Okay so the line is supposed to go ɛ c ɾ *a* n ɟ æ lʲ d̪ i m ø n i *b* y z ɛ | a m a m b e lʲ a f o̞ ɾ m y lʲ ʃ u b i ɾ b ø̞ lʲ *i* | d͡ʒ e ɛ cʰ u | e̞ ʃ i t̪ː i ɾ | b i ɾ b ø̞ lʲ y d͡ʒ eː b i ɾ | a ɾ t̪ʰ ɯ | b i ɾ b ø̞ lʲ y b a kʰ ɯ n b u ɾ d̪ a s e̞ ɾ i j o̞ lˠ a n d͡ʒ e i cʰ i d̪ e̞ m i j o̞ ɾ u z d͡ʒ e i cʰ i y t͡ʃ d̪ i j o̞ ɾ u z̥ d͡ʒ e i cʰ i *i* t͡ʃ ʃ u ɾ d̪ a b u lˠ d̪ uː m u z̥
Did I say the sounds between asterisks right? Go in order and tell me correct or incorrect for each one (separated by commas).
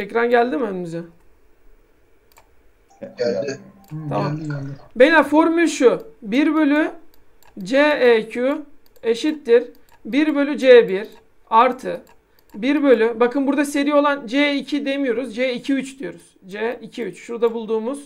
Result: correct, incorrect, incorrect, incorrect